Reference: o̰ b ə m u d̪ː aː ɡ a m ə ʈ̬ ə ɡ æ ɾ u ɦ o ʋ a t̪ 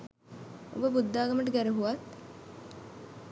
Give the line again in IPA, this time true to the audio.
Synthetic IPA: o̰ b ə b u d̪ː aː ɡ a m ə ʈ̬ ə ɡ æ ɾ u ɦ u ʋ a t̪